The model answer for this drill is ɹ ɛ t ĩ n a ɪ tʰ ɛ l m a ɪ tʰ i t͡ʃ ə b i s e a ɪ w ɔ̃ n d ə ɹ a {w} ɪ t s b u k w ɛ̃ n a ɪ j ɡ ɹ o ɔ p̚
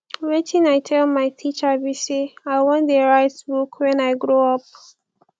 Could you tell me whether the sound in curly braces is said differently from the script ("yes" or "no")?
yes